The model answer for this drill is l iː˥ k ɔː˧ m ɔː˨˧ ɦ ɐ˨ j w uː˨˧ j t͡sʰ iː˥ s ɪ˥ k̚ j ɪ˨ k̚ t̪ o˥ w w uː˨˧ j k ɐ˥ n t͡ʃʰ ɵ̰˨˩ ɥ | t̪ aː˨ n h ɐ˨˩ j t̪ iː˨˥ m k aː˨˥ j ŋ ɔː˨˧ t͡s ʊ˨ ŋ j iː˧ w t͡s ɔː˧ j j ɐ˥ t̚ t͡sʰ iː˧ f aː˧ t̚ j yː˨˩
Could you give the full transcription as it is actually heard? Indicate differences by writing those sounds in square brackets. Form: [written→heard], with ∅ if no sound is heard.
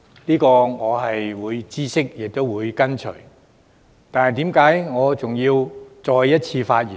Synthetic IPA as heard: l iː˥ k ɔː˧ [m→ŋ] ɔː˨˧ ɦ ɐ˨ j w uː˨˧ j [t͡sʰ→t͡s] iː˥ s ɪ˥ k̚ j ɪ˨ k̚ t̪ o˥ w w uː˨˧ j k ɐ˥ n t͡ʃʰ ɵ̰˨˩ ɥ | t̪ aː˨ n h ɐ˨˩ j t̪ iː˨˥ m k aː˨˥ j ŋ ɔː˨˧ t͡s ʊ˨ ŋ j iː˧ w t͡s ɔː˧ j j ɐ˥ t̚ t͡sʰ iː˧ f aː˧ t̚ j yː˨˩